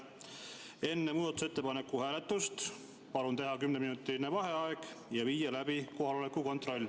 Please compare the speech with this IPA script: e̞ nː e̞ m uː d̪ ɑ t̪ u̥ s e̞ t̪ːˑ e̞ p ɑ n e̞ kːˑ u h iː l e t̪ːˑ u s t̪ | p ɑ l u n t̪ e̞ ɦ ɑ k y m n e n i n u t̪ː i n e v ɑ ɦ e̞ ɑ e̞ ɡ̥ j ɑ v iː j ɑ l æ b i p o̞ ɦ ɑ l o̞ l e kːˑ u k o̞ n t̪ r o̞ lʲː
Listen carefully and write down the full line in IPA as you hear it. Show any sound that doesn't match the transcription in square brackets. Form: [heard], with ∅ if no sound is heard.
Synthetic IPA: e̞ nː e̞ m uː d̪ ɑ t̪ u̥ s e̞ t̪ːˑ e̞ p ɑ n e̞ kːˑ u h [æː] l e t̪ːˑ u s t̪ | p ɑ l u n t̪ e̞ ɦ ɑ k y m n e [m] i n u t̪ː i n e v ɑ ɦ e̞ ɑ e̞ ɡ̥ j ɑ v iː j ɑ l æ b i [k] o̞ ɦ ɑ l o̞ l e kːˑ u k o̞ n t̪ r o̞ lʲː